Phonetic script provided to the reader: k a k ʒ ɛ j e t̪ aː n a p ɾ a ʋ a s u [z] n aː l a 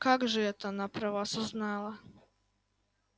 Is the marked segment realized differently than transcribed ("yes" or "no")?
no